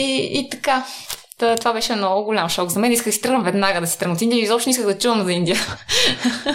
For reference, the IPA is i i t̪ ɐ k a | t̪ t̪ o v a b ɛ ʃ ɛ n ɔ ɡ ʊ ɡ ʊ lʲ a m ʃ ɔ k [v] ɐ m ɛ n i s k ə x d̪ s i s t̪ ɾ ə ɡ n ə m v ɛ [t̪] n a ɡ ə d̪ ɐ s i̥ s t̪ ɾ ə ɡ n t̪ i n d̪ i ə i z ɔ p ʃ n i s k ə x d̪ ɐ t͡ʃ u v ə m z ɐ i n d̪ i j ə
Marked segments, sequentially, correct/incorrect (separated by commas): incorrect, incorrect